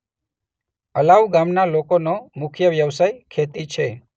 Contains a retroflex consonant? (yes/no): no